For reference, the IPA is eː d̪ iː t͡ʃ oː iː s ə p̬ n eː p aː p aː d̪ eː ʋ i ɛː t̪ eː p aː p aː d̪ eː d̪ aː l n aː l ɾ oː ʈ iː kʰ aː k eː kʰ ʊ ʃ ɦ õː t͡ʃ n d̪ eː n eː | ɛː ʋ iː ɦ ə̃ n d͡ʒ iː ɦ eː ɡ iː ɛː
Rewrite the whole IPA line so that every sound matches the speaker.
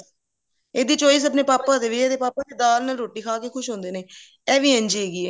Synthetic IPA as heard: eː d̪ iː t͡ʃ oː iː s ə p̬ n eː p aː p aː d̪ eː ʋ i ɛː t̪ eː p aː p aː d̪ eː d̪ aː l n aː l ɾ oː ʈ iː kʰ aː k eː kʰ ʊ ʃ ɦ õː n d̪ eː n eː | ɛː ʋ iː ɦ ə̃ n d͡ʒ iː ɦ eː ɡ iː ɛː